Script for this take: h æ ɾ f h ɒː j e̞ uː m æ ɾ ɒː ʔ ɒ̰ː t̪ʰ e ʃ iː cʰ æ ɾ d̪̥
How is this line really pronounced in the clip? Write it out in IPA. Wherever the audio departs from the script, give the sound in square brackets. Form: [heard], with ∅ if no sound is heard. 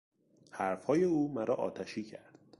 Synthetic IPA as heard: h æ ɾ f h ɒː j e̞ uː m æ ɾ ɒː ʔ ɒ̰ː t̪ʰ [æ] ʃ iː cʰ æ ɾ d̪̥